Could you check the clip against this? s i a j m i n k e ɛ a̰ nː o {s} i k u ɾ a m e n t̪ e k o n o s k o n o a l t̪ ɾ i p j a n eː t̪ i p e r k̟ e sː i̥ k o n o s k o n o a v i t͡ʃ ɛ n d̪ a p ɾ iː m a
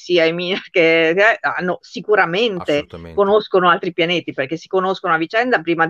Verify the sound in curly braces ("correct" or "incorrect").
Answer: correct